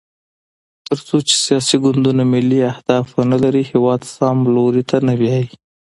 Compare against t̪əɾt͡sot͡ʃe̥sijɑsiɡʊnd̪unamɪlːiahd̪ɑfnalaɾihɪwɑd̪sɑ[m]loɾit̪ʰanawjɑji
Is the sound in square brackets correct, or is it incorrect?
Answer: correct